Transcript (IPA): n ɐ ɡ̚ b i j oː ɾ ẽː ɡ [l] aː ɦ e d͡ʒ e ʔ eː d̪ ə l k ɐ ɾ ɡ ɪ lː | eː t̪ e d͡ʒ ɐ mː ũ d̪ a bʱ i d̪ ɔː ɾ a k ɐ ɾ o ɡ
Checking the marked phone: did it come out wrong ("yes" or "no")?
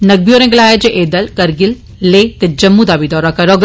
no